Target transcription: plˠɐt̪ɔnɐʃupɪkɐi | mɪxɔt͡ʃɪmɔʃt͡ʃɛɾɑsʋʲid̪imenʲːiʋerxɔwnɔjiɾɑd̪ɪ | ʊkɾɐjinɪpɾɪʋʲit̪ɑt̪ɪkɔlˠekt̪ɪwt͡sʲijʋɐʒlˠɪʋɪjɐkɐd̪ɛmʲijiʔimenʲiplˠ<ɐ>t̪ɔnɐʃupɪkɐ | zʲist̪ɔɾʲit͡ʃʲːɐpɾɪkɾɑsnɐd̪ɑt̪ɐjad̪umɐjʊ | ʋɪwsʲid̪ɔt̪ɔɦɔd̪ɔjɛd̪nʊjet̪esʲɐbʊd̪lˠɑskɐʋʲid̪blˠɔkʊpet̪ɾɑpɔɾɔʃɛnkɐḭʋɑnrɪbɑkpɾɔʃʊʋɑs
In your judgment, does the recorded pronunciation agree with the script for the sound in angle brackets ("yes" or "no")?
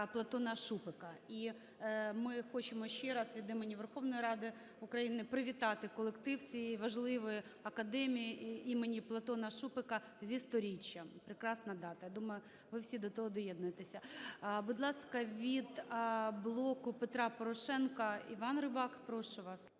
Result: yes